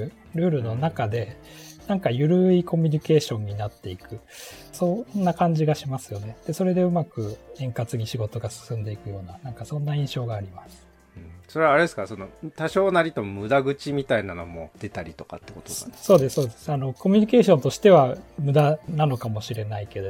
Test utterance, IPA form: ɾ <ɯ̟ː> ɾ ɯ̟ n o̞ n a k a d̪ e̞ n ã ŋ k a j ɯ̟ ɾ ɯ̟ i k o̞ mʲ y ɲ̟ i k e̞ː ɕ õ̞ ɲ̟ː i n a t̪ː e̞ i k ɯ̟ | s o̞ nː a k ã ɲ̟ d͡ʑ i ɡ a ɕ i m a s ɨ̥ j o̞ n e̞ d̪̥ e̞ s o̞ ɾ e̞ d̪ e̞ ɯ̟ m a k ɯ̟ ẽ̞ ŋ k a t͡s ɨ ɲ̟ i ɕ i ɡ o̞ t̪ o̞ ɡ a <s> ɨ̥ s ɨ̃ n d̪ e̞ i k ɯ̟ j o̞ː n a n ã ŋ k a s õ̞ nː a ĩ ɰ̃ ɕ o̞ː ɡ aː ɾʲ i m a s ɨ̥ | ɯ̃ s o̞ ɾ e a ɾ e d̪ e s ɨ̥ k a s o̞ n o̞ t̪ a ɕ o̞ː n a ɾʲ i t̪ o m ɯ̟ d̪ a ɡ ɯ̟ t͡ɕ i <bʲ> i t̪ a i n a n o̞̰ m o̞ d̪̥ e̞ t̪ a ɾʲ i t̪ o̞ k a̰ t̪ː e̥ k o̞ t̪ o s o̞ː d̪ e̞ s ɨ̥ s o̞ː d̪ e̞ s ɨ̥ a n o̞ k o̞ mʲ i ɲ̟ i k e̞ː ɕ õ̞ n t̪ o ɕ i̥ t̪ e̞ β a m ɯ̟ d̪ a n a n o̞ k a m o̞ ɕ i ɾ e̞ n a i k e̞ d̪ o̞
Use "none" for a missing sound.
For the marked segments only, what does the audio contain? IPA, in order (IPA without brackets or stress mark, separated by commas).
ɯ̟ː, s, mʲ